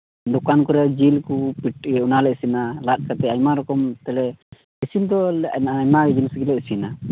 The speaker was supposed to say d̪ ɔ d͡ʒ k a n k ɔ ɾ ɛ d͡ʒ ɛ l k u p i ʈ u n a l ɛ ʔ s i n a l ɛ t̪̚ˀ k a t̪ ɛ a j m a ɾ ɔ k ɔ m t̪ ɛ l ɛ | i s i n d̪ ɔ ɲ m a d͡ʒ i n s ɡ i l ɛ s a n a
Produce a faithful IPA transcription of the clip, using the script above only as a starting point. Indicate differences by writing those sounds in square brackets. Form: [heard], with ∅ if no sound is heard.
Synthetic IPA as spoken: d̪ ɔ [∅] k a n k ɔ ɾ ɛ d͡ʒ [i] l k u p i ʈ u n a l ɛ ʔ s i n a l [a] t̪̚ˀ k a t̪ ɛ a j m a ɾ ɔ k ɔ m t̪ ɛ l ɛ | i s i n d̪ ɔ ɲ m a d͡ʒ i n s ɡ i l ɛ s [i] n a

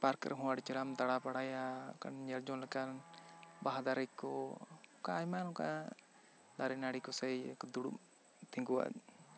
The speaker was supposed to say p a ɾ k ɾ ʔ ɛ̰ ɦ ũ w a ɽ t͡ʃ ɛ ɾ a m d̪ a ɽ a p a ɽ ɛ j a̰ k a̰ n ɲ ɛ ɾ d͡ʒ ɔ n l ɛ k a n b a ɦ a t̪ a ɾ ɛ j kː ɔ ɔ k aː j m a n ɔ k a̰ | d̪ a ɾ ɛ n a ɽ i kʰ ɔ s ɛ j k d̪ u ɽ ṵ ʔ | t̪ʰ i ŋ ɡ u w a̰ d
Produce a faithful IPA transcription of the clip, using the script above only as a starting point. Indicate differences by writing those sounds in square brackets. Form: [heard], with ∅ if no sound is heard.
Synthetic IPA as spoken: p a ɾ k ɾ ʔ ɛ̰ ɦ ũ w a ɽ t͡ʃ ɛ ɾ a m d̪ a ɽ a p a ɽ [a] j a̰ k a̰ n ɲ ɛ ɾ d͡ʒ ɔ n l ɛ k a n b a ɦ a [d̪] a ɾ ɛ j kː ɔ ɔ k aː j m a n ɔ k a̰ | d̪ a ɾ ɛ n a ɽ i [k] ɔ s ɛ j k d̪ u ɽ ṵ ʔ | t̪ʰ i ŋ ɡ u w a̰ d

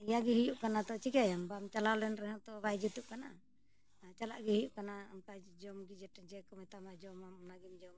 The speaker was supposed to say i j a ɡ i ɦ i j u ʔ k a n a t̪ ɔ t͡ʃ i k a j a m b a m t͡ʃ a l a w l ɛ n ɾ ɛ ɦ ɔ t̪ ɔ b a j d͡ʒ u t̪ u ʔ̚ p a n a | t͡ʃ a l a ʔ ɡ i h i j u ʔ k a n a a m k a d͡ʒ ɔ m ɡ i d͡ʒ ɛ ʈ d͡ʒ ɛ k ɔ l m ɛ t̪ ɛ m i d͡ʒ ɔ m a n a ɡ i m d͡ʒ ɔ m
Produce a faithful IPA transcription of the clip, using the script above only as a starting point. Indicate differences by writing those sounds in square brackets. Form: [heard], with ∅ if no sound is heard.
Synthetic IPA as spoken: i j a ɡ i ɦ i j u ʔ k a n a t̪ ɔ t͡ʃ i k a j a m b a m t͡ʃ a l a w l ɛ n ɾ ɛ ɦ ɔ t̪ ɔ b a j d͡ʒ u t̪ u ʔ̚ [k] a n a | t͡ʃ a l a ʔ ɡ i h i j u ʔ k a n a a m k a d͡ʒ ɔ m ɡ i d͡ʒ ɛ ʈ d͡ʒ ɛ k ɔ [∅] m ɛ t̪ [a] m [a] d͡ʒ ɔ m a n a ɡ i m d͡ʒ ɔ m

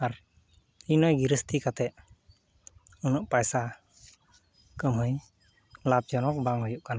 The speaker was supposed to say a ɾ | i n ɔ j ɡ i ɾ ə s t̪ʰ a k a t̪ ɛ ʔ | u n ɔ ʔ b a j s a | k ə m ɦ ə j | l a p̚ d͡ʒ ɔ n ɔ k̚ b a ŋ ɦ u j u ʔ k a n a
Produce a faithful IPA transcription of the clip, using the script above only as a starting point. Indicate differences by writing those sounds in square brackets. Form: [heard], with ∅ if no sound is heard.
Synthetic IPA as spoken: a ɾ | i n ɔ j ɡ i ɾ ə s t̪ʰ [i] k a t̪ ɛ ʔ | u n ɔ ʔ [p] a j s a | k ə m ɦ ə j | l a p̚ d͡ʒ ɔ n ɔ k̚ b a ŋ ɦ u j u ʔ k a n a

